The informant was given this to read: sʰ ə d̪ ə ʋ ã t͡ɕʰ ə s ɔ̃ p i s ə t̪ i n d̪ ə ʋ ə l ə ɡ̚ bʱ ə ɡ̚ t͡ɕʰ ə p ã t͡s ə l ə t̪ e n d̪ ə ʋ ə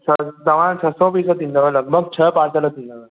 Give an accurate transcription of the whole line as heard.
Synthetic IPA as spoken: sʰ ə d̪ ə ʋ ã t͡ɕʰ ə s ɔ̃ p i s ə t̪ i n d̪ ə ʋ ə l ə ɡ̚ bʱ ə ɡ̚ t͡ɕʰ ə p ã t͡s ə l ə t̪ i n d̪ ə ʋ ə